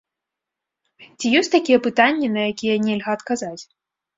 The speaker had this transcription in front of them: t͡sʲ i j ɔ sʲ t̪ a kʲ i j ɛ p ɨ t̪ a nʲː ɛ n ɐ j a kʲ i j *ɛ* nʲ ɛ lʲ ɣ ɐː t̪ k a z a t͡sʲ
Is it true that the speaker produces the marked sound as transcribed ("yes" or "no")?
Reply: yes